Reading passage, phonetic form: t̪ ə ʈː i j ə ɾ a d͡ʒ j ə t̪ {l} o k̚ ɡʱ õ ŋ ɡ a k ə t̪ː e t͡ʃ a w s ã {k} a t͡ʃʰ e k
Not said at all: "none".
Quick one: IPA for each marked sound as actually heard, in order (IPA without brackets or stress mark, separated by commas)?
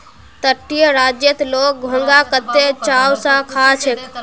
l, kʰ